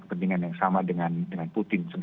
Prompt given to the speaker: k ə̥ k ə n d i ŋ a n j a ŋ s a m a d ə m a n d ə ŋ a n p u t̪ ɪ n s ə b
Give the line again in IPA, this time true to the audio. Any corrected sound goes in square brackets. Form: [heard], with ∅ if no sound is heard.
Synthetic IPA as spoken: k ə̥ [p] ə n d i ŋ a n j a ŋ s a m a d ə [ŋ] a n d ə ŋ a n p u t̪ ɪ n s ə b